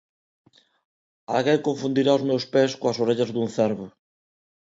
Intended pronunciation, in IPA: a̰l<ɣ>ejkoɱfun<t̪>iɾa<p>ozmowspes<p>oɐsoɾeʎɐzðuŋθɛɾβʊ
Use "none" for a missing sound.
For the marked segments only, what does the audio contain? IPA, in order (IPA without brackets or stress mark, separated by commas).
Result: ɣ, d̪, none, k